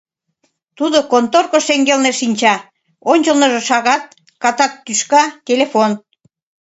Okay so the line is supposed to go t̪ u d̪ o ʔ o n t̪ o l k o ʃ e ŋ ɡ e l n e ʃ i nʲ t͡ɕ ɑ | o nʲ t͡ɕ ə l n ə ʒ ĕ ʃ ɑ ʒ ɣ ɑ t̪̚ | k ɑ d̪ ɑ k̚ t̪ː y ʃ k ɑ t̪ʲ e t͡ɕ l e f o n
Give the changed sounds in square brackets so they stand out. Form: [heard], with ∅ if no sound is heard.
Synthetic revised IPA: t̪ u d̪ o [k] o n t̪ o [r] k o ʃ e ŋ ɡ e l n e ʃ i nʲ t͡ɕ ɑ | o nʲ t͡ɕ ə l n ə ʒ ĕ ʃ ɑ [∅] ɣ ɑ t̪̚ | k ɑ [t̪] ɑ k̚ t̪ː y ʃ k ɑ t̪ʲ e [∅] l e f o n